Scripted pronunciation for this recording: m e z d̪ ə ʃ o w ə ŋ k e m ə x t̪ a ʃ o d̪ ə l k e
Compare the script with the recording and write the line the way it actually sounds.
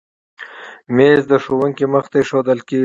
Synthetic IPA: m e z d̪ ə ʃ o w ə ŋ k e m ə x t̪ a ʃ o d̪ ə l k e